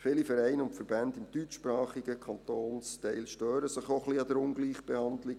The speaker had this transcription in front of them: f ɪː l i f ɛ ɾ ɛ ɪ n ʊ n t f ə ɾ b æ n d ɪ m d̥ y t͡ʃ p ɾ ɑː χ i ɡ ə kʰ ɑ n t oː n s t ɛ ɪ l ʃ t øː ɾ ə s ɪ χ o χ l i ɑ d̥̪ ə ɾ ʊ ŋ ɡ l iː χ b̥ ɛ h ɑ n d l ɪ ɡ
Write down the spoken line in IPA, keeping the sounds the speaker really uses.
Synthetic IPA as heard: f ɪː l i f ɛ ɾ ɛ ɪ n ʊ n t f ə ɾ b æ n d ɪ m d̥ y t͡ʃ p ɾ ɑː χ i ɡ ə kʰ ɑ n t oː n s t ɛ ɪ l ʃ t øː ɾ ə s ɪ χ o χ l i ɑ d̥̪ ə ɾ ʊ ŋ ɡ l iː χ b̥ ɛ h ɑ n d l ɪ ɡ